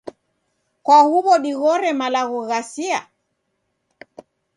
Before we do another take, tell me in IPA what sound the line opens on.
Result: k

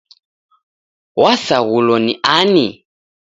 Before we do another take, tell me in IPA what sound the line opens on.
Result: w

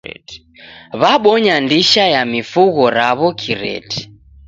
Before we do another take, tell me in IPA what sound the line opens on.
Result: β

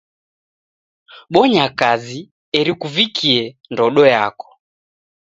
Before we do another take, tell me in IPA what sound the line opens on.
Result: ɓ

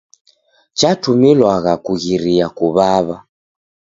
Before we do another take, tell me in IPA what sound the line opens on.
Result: t͡ʃ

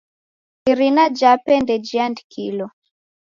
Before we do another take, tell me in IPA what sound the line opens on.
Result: i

